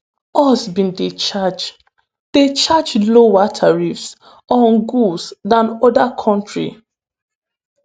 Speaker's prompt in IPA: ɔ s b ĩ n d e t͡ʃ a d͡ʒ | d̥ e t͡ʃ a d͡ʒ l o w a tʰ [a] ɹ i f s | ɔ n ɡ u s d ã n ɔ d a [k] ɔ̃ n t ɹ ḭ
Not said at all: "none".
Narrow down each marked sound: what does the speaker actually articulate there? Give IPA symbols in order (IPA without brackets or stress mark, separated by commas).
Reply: a, kʰ